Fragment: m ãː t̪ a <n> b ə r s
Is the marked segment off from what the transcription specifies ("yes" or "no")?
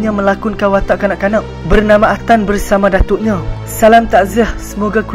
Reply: no